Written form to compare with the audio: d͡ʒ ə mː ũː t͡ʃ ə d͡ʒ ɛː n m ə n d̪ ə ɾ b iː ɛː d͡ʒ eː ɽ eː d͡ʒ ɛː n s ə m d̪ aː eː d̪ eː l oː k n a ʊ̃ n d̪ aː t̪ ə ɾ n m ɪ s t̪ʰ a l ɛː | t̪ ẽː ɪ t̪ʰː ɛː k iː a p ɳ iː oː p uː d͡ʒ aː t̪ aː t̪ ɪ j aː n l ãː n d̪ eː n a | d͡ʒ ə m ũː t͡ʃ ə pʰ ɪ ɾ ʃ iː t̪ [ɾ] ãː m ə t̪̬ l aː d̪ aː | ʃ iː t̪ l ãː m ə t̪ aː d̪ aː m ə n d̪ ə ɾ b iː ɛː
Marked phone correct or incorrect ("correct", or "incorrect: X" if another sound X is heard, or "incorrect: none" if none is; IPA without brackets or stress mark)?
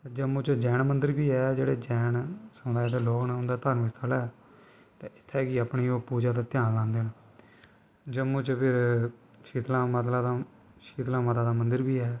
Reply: incorrect: l